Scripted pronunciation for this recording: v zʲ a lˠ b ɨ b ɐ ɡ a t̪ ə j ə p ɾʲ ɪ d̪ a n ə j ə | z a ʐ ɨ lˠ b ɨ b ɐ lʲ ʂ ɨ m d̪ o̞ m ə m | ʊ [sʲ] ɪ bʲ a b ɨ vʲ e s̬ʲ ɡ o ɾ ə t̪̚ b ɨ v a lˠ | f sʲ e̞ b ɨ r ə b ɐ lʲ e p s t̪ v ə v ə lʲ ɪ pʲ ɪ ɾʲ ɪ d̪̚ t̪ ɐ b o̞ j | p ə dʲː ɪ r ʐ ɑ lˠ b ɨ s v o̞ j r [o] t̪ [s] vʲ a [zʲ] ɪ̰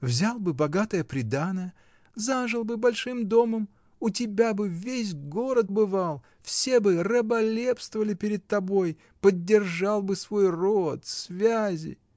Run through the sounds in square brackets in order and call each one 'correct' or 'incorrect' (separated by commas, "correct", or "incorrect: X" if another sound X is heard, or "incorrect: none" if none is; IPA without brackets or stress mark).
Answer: incorrect: tʲ, correct, correct, correct